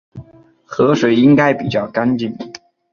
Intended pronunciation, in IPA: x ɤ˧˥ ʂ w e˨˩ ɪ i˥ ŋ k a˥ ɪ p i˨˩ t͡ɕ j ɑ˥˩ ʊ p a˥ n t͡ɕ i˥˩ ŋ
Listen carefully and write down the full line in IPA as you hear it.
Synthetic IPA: x ɤ˧˥ ʂ w e˨˩ ɪ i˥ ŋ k a˥ ɪ p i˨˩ t͡ɕ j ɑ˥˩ ʊ k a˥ n t͡ɕ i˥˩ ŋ